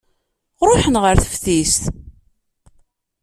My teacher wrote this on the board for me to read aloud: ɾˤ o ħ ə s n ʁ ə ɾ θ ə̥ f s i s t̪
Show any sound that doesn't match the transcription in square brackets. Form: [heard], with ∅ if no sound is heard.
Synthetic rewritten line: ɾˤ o ħ ə [∅] n ʁ ə ɾ θ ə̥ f [θ] i s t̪